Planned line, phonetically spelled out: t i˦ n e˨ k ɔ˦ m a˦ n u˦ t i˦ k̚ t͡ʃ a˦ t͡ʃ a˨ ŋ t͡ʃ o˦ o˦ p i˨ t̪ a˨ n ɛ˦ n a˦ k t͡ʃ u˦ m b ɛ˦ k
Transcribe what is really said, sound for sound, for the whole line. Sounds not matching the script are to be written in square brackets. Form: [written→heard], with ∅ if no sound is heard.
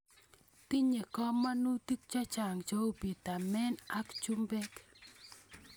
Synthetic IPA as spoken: t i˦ [n→ɲ] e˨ k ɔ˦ m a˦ n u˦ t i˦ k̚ t͡ʃ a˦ t͡ʃ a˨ ŋ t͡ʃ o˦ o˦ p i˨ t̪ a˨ [n→m] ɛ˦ n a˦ k t͡ʃ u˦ m b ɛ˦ k